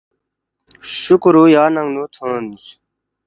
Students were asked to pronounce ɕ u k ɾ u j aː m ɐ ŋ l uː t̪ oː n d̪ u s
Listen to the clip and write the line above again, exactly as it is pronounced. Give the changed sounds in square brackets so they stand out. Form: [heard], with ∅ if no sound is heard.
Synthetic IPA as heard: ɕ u k ɾ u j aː [n] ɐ ŋ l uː [t̪ʰ] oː n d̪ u s